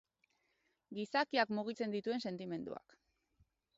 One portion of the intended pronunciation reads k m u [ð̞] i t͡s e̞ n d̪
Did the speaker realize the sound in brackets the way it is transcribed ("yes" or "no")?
no